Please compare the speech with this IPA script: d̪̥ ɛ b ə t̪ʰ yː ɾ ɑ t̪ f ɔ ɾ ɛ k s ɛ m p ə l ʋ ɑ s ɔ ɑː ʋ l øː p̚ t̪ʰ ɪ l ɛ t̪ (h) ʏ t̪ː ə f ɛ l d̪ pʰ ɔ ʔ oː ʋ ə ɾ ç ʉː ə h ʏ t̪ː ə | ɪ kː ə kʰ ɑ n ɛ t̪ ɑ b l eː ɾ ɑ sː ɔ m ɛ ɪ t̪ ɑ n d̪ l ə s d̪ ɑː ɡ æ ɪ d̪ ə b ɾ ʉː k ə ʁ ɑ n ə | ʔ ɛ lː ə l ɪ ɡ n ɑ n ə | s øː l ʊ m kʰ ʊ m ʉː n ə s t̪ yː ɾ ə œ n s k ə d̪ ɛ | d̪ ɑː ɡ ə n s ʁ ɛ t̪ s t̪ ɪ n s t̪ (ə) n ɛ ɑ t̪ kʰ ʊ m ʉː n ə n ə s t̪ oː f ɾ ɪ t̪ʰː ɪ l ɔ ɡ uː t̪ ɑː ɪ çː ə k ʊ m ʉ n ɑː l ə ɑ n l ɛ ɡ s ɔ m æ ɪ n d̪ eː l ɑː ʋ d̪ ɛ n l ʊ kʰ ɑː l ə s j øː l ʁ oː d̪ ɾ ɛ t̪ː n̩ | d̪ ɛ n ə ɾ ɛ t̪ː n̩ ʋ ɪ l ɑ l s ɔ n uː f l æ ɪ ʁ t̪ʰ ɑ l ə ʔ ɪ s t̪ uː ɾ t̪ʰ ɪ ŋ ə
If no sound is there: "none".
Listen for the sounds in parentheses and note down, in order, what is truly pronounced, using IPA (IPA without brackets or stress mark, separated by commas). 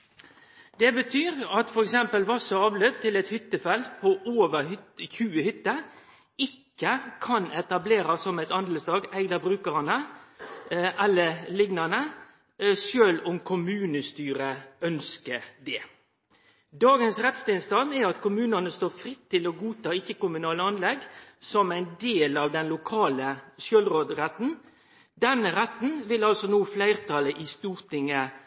h, ɑ